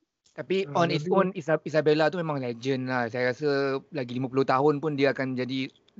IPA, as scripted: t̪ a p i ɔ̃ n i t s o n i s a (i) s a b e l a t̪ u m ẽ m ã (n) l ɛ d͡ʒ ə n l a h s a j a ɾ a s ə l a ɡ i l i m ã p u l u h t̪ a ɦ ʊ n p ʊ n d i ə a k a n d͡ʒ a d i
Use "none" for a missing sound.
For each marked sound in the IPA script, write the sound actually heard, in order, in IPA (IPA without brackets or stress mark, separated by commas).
i, ŋ